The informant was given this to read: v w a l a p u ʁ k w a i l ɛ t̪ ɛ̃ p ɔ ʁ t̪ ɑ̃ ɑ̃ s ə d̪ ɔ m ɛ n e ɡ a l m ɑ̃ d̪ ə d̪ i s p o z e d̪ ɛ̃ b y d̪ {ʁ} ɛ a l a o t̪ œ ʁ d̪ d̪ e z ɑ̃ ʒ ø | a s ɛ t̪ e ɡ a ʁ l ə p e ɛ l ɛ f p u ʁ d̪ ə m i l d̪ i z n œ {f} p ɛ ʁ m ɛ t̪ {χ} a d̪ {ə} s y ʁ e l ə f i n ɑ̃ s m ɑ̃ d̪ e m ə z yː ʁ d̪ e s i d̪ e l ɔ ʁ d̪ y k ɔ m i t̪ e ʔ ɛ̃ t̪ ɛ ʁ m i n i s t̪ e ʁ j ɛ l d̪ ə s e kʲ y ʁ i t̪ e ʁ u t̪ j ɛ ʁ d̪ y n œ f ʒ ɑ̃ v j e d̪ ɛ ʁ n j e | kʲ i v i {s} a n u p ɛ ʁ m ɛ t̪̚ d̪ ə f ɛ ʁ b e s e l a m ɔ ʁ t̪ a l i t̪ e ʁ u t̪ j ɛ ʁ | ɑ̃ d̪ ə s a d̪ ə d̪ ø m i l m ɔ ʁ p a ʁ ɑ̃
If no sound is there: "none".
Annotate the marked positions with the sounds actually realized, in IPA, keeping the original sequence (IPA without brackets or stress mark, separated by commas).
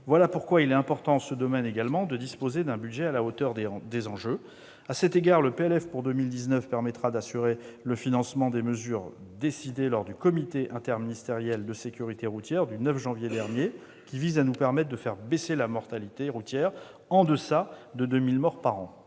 ʒ, f, χ, a, z